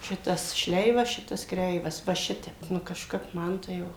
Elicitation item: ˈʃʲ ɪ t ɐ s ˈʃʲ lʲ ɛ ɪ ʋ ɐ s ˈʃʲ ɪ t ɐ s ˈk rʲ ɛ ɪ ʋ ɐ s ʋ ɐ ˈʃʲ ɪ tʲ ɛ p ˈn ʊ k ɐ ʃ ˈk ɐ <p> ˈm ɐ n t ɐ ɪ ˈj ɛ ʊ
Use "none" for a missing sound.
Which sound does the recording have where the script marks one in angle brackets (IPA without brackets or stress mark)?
p